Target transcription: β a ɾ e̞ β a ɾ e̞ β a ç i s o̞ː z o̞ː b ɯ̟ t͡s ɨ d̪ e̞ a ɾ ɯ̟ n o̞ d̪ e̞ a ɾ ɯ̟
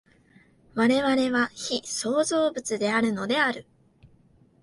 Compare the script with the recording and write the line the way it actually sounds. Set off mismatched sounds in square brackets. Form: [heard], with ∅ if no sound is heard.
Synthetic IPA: β a ɾ e̞ β a ɾ e̞ β a ç i s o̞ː z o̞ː b ɯ̟ t͡s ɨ d̪ e̞ a ɾ ɯ̟ n o̞ d̪ e̞ a ɾ ɯ̟